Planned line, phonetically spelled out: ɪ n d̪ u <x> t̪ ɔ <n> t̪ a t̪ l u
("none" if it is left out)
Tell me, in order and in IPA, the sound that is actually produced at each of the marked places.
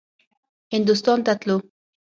s, n

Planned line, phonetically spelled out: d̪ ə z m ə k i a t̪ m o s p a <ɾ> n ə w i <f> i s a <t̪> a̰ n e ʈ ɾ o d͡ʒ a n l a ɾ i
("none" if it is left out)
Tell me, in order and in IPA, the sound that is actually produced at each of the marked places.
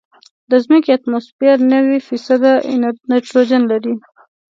ɾ, f, d̪

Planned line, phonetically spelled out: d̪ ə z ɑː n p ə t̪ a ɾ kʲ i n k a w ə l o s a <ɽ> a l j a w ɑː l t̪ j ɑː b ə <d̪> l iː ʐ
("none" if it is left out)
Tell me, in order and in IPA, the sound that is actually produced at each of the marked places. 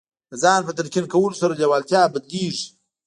ɾ, d̪

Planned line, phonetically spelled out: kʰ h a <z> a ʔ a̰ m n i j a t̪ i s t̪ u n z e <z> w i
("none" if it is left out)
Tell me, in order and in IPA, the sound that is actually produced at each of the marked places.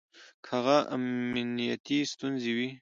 ɣ, none

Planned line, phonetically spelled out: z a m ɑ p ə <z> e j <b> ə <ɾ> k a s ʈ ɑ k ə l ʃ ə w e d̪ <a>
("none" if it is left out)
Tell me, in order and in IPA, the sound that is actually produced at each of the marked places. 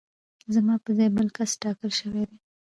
z, b, l, e

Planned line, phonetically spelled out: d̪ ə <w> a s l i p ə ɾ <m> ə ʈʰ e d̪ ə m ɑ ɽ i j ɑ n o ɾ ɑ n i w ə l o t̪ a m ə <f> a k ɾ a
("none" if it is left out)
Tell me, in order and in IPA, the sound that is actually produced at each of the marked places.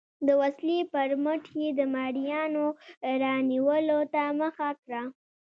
w, m, x

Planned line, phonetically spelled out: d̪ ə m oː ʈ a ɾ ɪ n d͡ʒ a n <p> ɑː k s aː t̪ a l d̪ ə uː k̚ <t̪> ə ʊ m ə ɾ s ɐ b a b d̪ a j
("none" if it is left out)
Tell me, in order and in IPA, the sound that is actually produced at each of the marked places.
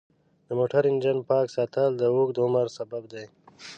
p, d̪

